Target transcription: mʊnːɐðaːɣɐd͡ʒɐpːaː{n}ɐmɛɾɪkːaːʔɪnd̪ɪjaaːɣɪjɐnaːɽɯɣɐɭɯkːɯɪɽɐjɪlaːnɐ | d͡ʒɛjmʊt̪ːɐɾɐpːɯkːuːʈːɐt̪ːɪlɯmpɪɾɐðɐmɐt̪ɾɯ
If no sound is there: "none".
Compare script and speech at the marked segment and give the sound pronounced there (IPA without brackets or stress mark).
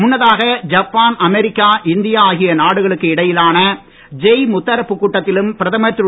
n